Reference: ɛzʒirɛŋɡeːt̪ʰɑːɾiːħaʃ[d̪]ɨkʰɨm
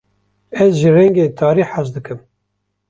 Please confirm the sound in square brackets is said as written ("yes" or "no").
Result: yes